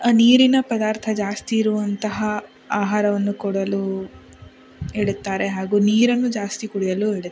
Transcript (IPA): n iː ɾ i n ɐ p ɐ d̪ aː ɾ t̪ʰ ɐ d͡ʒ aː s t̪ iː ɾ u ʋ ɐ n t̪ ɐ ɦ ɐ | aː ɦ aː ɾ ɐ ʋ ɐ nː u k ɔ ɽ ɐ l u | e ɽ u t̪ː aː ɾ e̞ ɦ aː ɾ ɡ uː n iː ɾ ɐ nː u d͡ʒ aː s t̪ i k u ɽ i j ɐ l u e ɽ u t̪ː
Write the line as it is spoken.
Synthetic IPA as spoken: n iː ɾ i n ɐ p ɐ d̪ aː ɾ t̪ʰ ɐ d͡ʒ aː s t̪ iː ɾ u ʋ ɐ n t̪ ɐ ɦ ɐ | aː ɦ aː ɾ ɐ ʋ ɐ nː u k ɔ ɽ ɐ l u | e ɽ u t̪ː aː ɾ e̞ ɦ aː ɡ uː n iː ɾ ɐ nː u d͡ʒ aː s t̪ i k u ɽ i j ɐ l u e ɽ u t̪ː